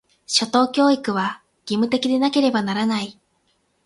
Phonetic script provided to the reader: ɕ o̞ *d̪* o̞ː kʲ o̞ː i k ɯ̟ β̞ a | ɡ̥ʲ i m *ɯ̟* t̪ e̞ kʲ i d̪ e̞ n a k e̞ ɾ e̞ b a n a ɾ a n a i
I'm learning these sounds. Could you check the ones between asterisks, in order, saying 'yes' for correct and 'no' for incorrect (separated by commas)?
no, yes